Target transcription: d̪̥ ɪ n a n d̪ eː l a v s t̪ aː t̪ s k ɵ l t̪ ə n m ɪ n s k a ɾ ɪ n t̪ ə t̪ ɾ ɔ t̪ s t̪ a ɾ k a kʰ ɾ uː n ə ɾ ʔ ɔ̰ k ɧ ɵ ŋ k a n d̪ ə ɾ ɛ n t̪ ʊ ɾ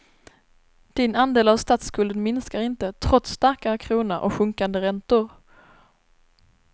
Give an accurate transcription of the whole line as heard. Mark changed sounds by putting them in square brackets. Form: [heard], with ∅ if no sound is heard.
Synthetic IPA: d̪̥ ɪ n a n d̪ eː l a v s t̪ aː t̪ s k ɵ l [d̪] ə n m ɪ n s k a ɾ ɪ n t̪ ə [t̪ʰ] ɾ ɔ t̪ s t̪ a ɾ k a kʰ ɾ uː n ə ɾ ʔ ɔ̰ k ɧ ɵ ŋ k a n d̪ ə ɾ ɛ n t̪ ʊ ɾ

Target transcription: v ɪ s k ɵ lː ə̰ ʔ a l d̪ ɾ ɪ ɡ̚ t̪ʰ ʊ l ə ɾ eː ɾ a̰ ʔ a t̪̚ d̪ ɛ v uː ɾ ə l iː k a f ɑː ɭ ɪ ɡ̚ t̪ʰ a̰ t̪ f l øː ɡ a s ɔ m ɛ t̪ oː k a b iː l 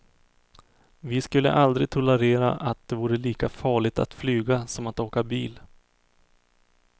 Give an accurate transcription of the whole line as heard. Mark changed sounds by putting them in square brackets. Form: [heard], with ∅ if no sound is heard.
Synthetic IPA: v ɪ s k ɵ lː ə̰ ʔ a l d̪ ɾ ɪ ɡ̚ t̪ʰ ʊ l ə ɾ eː ɾ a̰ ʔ a t̪̚ d̪ ɛ v uː ɾ ə l iː k a f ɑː ɭ ɪ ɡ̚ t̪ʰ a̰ t̪ f l [yː] ɡ a s ɔ m [a] t̪ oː k a b iː l

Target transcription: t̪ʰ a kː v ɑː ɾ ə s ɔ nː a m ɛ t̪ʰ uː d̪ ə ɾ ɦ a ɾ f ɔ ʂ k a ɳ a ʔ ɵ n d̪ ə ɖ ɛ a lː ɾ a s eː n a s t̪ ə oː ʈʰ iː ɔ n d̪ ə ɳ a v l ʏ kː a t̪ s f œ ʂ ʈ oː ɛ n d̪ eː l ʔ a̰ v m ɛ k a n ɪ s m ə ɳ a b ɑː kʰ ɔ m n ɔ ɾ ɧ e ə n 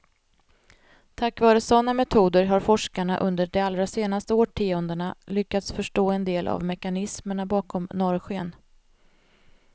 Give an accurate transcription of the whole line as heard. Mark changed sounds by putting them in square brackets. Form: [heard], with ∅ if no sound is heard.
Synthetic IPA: t̪ʰ a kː v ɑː ɾ ə s ɔ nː a m ɛ t̪ʰ uː d̪ ə ɾ ɦ a ɾ f ɔ ʂ k a ɳ a ʔ ɵ n d̪ ə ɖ ɛ a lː ɾ a s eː n a s t̪ ə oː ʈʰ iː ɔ n d̪ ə ɳ a [∅] l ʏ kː a t̪ s f œ ʂ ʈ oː ɛ n d̪ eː l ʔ a̰ v m ɛ k a n ɪ s m ə ɳ a b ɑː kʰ ɔ m n ɔ ɾ ɧ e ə n

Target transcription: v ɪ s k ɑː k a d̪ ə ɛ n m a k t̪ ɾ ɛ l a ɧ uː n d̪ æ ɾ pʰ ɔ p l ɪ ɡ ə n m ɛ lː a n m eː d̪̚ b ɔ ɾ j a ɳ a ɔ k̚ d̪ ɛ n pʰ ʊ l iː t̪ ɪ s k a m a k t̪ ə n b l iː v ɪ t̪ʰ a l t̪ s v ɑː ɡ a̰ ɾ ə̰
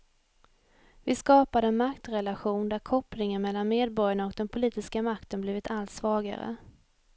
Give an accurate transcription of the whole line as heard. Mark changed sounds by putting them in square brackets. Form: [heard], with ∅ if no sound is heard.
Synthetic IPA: v ɪ s k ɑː [p] a d̪ ə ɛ n m a k t̪ ɾ ɛ l a ɧ uː n d̪ æ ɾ [kʰ] ɔ p l ɪ [ŋ] ə n m ɛ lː a n m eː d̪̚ b ɔ ɾ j a ɳ a ɔ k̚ d̪ ɛ n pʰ ʊ l iː t̪ ɪ s k a m a k t̪ ə n b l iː v ɪ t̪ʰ a l t̪ s v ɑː ɡ a̰ ɾ ə̰

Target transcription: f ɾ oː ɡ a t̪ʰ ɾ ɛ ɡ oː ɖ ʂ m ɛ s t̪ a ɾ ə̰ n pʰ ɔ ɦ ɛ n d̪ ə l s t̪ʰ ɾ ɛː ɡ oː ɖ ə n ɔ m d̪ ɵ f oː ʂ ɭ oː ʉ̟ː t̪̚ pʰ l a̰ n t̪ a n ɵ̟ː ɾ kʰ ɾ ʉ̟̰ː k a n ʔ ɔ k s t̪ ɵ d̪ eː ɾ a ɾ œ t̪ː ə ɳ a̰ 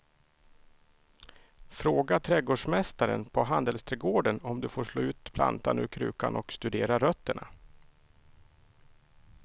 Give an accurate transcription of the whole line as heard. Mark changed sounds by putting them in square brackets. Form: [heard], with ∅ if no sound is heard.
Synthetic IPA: f ɾ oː ɡ a t̪ʰ ɾ ɛ ɡ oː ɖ ʂ m ɛ s t̪ a ɾ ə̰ n pʰ ɔ ɦ [a] n d̪ ə l s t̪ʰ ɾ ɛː ɡ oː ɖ ə n ɔ m d̪ ɵ f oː ʂ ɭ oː ʉ̟ː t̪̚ pʰ l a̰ n t̪ a n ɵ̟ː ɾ kʰ ɾ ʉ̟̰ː k a n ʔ ɔ k s t̪ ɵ d̪ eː ɾ a ɾ œ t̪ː ə ɳ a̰

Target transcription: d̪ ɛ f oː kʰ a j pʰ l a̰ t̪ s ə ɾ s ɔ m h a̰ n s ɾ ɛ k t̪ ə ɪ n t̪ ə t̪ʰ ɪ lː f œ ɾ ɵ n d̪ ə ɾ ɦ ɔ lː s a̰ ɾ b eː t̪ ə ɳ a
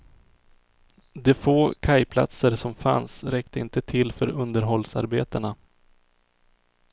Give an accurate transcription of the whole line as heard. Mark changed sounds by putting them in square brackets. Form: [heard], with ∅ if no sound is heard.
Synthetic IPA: d̪ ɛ f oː kʰ a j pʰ l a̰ t̪ s ə ɾ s ɔ m [f] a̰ n s ɾ ɛ k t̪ ə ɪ n t̪ ə t̪ʰ ɪ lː f œ ɾ ɵ n d̪ ə ɾ ɦ ɔ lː s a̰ ɾ b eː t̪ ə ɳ a

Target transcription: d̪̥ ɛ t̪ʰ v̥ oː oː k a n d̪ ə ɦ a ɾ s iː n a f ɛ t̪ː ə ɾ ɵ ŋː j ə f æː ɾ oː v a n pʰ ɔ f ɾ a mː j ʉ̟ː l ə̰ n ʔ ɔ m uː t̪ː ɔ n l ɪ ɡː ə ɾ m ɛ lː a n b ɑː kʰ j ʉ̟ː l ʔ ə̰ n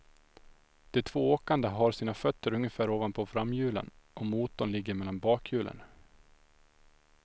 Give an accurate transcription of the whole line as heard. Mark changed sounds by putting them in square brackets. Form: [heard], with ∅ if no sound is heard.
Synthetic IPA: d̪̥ ɛ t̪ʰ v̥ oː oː k a n d̪ ə ɦ a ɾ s iː n a f [œ] t̪ː ə ɾ ɵ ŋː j ə f æː ɾ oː v a n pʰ ɔ f ɾ a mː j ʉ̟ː l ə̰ n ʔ ɔ m uː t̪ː ɔ n l ɪ ɡː ə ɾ m ɛ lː a n b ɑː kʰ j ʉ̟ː l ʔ ə̰ n

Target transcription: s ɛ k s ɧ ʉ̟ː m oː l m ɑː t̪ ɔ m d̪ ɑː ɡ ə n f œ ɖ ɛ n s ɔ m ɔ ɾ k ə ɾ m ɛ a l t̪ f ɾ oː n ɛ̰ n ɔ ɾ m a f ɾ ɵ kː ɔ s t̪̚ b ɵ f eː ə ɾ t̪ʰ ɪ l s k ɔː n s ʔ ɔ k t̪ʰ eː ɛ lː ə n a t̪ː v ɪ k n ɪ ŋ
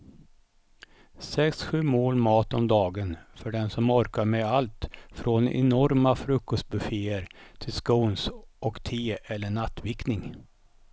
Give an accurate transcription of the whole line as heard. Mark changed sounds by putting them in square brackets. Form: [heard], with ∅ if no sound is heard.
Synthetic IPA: s ɛ k s ɧ ʉ̟ː m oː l m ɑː t̪ ɔ m d̪ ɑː ɡ ə n f œ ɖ ɛ n s ɔ m ɔ ɾ k [a] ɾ m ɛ a l t̪ f ɾ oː n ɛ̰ n ɔ ɾ m a f ɾ ɵ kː ɔ s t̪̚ b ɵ f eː ə ɾ t̪ʰ ɪ l s k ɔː n s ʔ ɔ k t̪ʰ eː ɛ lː ə [ɳ] a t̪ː v ɪ k n ɪ ŋ

